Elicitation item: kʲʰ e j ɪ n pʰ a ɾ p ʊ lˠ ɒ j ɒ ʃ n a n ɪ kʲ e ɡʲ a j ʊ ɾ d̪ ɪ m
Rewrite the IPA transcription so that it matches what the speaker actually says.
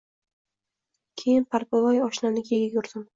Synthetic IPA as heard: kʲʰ e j ɪ n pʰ a ɾ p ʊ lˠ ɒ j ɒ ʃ n a n ɪ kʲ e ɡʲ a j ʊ ɾ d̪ ɪ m